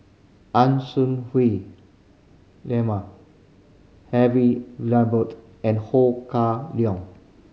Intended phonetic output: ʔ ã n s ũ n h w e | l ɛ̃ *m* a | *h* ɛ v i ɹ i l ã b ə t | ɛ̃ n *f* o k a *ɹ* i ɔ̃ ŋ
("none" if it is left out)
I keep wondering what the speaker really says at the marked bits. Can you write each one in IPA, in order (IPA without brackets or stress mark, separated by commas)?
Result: m, h, h, l